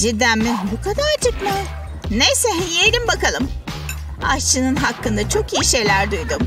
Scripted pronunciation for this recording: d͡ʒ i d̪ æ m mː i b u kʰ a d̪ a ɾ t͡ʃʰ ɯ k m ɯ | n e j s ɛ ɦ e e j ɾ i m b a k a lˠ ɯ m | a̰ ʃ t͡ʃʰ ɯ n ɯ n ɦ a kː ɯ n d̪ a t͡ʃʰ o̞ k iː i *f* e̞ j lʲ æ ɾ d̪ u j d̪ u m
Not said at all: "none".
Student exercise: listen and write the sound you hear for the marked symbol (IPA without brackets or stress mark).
ʃ